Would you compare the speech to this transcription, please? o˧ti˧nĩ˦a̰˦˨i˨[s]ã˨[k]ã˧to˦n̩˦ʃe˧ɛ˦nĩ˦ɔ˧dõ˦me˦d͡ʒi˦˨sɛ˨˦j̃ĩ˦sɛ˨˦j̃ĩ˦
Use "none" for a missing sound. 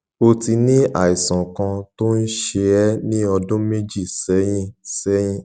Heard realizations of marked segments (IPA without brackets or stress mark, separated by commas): s, k